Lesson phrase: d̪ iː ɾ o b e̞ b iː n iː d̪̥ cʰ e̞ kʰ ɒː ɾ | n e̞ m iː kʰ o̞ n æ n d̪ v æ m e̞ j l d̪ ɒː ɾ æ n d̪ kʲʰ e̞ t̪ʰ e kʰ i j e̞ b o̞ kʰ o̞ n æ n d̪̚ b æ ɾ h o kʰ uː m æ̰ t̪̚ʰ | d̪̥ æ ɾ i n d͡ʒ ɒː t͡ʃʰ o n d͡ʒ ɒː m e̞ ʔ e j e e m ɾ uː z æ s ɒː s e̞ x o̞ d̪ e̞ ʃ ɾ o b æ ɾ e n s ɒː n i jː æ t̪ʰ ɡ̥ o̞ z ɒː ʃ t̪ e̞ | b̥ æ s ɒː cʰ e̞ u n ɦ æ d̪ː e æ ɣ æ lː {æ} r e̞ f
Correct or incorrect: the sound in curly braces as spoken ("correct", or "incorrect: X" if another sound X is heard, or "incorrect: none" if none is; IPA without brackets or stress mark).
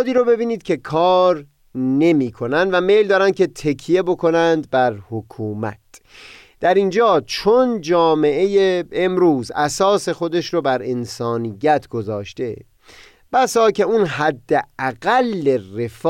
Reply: incorrect: e